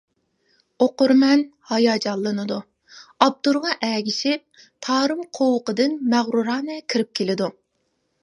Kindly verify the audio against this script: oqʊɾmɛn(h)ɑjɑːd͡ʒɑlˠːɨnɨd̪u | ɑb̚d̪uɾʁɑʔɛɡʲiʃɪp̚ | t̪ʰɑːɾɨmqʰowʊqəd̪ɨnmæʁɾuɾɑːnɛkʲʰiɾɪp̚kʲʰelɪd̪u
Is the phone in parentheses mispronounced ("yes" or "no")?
no